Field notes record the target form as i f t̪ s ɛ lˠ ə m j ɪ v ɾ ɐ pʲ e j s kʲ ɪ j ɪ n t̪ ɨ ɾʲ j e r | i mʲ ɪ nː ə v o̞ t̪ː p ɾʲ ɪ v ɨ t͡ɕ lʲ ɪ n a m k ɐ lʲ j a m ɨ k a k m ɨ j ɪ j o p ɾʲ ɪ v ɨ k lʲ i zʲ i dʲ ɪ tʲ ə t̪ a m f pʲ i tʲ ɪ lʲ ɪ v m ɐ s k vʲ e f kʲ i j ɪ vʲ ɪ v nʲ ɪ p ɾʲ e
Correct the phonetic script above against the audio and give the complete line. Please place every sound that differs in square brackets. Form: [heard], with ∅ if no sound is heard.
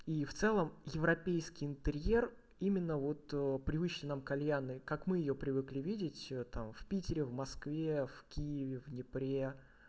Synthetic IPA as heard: i f t̪ s ɛ lˠ ə m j ɪ v ɾ ɐ pʲ e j s kʲ ɪ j ɪ n t̪ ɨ ɾʲ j e r | i mʲ ɪ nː ə v o̞ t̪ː p ɾʲ ɪ v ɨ t͡ɕ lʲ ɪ n a m k ɐ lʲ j a [n] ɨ k a k m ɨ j ɪ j o p ɾʲ ɪ v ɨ k lʲ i [vʲ] i dʲ ɪ tʲ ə t̪ a m f pʲ i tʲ ɪ [ɾʲ] ɪ v m ɐ s k vʲ e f kʲ i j ɪ vʲ ɪ v nʲ ɪ p ɾʲ e